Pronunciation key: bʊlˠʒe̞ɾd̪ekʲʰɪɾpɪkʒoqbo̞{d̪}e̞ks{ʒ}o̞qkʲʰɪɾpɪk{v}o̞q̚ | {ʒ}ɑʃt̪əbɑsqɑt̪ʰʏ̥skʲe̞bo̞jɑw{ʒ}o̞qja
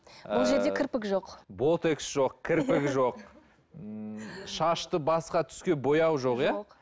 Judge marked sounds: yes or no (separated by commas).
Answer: no, yes, no, no, yes